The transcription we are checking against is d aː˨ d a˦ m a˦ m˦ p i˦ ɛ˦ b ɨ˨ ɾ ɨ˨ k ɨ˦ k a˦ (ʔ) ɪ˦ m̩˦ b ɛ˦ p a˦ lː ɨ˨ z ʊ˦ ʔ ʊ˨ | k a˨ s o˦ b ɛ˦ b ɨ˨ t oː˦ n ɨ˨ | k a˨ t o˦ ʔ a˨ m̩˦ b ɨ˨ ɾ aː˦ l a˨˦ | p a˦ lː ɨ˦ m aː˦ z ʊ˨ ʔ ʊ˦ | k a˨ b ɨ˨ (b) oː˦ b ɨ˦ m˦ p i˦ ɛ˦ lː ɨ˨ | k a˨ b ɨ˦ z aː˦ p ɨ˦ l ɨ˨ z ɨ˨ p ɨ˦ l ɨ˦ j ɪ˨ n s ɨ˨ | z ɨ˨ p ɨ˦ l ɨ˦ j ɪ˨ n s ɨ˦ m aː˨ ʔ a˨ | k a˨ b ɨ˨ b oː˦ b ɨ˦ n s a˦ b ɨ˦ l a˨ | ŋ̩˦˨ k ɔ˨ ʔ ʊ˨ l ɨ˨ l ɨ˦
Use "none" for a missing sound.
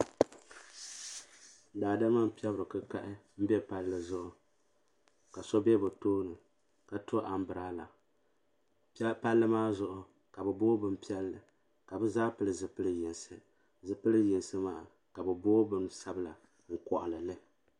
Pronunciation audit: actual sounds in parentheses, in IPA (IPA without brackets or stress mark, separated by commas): ʔ, b